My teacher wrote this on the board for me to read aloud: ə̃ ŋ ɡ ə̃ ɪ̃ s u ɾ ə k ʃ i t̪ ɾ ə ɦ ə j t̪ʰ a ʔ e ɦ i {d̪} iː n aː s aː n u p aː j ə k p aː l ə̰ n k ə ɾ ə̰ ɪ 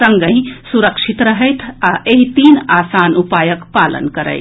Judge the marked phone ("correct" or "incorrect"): incorrect